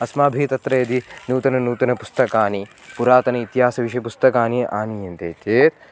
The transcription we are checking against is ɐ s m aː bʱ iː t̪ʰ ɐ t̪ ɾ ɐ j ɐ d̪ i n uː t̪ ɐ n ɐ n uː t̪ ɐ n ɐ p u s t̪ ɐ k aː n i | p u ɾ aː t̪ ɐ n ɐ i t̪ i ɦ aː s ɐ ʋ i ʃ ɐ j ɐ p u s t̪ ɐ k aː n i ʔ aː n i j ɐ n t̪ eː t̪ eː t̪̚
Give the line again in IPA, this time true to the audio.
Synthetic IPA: ɐ s m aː bʱ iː t̪ ɐ t̪ ɾ ɐ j ɐ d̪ i n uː t̪ ɐ n ɐ n uː t̪ ɐ n ɐ p u s t̪ ɐ k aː n i | p u ɾ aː t̪ ɐ n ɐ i t̪ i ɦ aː s ɐ ʋ i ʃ ɐ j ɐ p u s t̪ ɐ k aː n i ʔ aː n i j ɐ n t̪ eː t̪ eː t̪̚